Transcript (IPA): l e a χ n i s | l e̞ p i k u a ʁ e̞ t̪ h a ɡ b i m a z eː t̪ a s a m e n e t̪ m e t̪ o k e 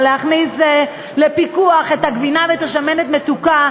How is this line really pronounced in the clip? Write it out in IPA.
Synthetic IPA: l e a χ n i s | l e̞ p i k u a χ e̞ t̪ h a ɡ v i n a v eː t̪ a ʃ a m e n e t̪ m e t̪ u k a